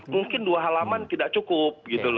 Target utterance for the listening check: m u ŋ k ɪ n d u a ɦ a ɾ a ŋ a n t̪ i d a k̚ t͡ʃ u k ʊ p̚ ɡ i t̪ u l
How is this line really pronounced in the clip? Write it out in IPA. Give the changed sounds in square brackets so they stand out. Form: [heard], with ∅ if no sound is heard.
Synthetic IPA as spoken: m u ŋ k ɪ n d u a ɦ a [l] a [m] a n t̪ i d a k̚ t͡ʃ u k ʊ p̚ ɡ i t̪ u l